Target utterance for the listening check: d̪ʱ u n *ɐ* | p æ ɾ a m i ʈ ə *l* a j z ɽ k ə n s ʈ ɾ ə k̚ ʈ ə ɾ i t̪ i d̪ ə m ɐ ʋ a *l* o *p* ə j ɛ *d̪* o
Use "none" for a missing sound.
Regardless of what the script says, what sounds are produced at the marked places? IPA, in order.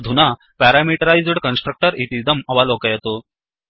a, ɾ, l, k, t̪

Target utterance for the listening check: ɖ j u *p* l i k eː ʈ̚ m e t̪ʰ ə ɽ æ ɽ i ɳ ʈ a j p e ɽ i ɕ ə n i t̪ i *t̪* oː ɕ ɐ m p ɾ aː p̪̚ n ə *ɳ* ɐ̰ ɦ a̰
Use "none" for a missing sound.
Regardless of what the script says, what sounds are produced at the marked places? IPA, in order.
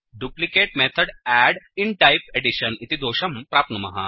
p, d̪, m

